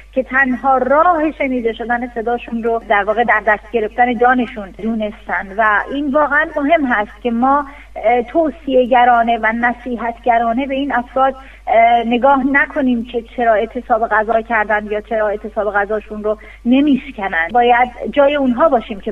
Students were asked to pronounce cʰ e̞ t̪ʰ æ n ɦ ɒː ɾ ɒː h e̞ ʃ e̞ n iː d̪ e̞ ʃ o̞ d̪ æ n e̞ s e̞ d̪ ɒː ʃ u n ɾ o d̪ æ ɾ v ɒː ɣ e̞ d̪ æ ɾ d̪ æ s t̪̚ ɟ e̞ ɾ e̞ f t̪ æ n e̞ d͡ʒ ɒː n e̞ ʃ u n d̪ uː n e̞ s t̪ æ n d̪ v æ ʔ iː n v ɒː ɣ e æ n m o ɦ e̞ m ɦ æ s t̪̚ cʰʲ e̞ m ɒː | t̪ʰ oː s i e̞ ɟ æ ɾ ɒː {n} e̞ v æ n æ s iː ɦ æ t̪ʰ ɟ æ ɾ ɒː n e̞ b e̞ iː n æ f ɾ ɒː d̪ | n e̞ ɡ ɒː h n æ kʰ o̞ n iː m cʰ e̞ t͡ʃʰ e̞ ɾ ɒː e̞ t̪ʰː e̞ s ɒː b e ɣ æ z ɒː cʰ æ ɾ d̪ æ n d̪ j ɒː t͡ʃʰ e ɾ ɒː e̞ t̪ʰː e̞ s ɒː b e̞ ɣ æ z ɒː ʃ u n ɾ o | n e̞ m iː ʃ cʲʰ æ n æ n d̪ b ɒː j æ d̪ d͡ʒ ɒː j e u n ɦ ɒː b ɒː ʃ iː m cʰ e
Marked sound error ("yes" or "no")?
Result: no